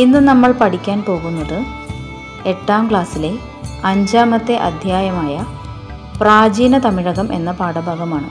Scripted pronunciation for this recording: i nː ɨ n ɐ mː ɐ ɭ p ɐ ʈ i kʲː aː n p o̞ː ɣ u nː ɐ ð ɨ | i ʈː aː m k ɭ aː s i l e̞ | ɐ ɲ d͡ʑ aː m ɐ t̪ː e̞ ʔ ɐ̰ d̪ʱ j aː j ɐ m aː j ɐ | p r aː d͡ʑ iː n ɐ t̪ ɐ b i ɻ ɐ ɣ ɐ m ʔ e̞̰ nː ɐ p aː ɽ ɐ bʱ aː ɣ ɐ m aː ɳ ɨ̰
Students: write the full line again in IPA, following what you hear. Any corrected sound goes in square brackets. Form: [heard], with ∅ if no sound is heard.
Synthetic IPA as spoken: i nː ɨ n ɐ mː ɐ ɭ p ɐ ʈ i kʲː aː n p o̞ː ɣ u nː ɐ ð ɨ | [e] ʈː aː m k ɭ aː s i l e̞ | ɐ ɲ d͡ʑ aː m ɐ t̪ː e̞ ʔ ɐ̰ d̪ʱ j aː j ɐ m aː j ɐ | p r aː d͡ʑ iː n ɐ t̪ ɐ [m] i ɻ ɐ ɣ ɐ m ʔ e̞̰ nː ɐ p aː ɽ ɐ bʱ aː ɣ ɐ m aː ɳ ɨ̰